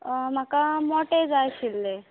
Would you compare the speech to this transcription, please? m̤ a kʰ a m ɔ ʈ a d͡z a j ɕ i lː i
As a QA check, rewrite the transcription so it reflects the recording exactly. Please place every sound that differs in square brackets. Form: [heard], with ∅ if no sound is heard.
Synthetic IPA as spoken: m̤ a [k] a m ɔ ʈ [e] d͡z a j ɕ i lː [e]